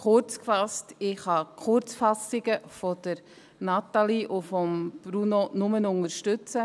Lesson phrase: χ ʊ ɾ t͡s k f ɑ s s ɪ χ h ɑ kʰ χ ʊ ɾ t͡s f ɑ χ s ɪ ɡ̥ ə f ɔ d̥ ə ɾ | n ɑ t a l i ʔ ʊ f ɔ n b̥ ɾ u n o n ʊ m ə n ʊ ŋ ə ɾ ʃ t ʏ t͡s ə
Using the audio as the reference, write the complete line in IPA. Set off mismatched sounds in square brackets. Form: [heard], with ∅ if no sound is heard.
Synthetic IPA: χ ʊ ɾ t͡s k f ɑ s [t] ɪ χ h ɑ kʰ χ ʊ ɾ t͡s f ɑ [∅] s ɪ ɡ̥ ə f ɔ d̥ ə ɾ | n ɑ t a l i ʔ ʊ f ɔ [m] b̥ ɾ u n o n ʊ m ə n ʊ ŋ ə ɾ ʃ t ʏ t͡s ə